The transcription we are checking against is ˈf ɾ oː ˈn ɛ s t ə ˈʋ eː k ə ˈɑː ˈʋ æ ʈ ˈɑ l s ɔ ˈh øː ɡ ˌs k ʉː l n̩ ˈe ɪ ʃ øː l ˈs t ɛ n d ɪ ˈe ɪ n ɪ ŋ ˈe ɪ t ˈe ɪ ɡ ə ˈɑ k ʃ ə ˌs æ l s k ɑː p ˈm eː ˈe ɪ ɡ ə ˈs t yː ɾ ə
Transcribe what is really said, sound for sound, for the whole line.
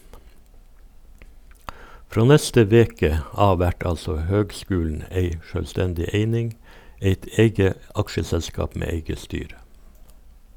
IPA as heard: ˈf ɾ oː ˈn ɛ s t ə ˈʋ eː k ə ˈɑː ˈʋ æ ʈ ˈɑ l s ɔ ˈh øː ɡ ˌs k ʉː l n̩ ˈe ɪ ʃ øː l ˈs t ɛ n d ɪ ˈe ɪ n ɪ ŋ ˈe ɪ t ˈe ɪ ɡ ə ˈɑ k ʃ ə ˌs ɛ l s k ɑː p ˈm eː ˈe ɪ ɡ ə ˈs t yː ɾ ə